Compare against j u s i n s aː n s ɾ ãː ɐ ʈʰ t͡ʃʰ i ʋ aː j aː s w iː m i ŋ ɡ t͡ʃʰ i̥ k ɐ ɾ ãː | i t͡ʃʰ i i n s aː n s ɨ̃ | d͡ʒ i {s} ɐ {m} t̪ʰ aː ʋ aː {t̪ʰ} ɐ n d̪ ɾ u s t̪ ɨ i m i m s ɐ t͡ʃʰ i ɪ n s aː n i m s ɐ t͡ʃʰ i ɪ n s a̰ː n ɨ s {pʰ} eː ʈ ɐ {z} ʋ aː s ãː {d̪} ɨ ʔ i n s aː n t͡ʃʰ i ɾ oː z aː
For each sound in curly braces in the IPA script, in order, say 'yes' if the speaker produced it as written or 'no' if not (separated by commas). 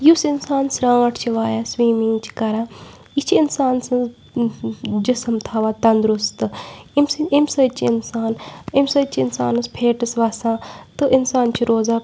yes, yes, no, yes, no, no